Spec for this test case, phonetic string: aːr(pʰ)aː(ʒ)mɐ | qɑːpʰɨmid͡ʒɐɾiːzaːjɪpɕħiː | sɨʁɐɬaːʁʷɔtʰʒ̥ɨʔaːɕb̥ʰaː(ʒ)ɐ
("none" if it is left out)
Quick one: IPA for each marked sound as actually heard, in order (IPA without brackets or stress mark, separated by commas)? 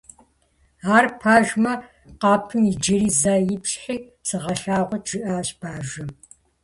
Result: pʰ, ʒ, ʒ